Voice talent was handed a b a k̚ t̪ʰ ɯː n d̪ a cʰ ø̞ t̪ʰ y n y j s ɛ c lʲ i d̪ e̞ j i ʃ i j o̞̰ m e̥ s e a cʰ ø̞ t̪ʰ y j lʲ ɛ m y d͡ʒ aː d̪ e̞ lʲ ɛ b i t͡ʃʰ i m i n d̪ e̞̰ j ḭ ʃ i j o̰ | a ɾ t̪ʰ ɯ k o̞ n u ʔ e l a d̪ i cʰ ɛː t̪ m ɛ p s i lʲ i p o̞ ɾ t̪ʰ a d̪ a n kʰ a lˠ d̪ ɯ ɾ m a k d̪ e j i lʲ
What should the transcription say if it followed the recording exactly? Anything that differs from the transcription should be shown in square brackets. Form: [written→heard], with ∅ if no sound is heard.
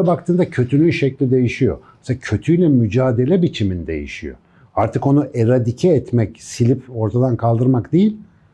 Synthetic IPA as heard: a b a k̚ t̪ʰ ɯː n d̪ a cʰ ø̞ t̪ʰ y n y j [s→ʃ] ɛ c lʲ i d̪ e̞ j i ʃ i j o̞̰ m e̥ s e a cʰ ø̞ t̪ʰ y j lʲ ɛ m y d͡ʒ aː d̪ e̞ lʲ ɛ b i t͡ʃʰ i m i n d̪ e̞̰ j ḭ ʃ i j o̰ | a ɾ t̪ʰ ɯ k o̞ n u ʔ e [l→ɾ] a d̪ i cʰ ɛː t̪ m ɛ [p→c] s i lʲ i p o̞ ɾ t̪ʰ a d̪ a n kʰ a lˠ d̪ ɯ ɾ m a k d̪ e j i lʲ